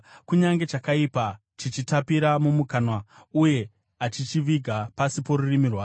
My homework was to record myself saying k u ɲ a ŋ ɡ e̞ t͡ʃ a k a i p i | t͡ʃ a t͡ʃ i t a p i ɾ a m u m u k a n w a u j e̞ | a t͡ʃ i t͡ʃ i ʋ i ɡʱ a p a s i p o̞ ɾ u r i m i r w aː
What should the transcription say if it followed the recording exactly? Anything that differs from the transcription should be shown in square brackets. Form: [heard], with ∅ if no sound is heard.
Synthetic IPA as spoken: k u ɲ a ŋ ɡ e̞ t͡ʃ a k a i p [a] | t͡ʃ [i] t͡ʃ i t a p i ɾ a m u m u k a n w a u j e̞ | a t͡ʃ i t͡ʃ i ʋ i ɡʱ a p a s i p o̞ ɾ u r i m i r w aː